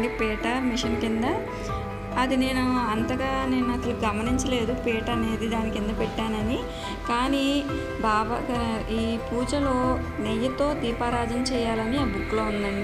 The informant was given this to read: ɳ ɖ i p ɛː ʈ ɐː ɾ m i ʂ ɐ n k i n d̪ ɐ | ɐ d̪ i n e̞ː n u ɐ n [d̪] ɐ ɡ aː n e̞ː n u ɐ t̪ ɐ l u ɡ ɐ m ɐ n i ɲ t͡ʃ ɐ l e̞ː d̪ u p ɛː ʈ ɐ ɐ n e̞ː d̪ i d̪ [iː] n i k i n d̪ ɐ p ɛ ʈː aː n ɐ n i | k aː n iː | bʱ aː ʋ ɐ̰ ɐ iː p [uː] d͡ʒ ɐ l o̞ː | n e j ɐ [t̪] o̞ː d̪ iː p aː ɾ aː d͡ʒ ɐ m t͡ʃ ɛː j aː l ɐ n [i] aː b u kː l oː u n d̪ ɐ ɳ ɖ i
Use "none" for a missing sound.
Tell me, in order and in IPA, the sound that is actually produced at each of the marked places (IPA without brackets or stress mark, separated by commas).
t̪, aː, uː, t̪, i